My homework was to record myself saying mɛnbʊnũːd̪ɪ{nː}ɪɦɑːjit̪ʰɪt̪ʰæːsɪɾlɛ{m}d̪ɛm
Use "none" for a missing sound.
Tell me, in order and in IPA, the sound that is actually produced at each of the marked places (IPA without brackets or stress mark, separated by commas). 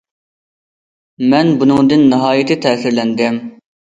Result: nː, n